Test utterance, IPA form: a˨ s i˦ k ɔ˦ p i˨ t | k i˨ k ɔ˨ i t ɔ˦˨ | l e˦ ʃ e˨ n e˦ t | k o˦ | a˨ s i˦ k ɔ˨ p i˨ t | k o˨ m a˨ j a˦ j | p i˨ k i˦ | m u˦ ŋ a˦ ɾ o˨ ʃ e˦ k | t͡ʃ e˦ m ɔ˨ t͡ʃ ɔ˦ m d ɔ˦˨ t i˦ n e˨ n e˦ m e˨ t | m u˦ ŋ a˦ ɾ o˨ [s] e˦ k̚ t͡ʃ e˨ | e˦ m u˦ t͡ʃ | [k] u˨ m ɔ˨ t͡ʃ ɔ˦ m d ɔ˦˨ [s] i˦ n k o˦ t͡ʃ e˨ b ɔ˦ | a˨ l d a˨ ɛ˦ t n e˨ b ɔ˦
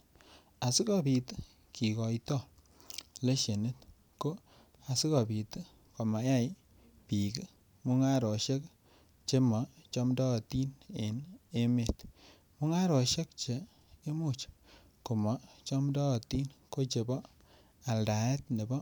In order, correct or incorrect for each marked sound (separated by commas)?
incorrect, correct, incorrect